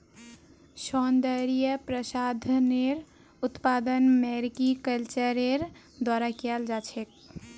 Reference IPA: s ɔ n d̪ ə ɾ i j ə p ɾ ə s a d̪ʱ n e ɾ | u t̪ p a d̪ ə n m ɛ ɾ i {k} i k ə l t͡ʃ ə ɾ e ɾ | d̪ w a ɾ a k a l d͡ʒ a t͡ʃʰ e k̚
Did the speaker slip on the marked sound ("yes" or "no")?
no